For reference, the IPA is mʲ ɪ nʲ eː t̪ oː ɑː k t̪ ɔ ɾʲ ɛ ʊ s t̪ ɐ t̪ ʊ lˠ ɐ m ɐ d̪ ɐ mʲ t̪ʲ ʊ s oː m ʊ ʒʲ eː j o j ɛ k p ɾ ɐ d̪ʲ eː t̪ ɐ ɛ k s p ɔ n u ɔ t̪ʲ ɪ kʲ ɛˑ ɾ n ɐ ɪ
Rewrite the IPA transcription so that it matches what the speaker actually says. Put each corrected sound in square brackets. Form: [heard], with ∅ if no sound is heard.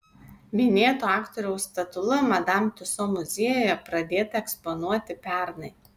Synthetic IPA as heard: mʲ ɪ nʲ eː t̪ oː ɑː k t̪ ɔ ɾʲ ɛ ʊ s t̪ ɐ t̪ ʊ lˠ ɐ m ɐ d̪ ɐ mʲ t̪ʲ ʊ s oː m ʊ [zʲ] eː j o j ɛ [∅] p ɾ ɐ d̪ʲ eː t̪ ɐ ɛ k s p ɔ n u ɔ t̪ʲ ɪ [pʲ] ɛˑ ɾ n ɐ ɪ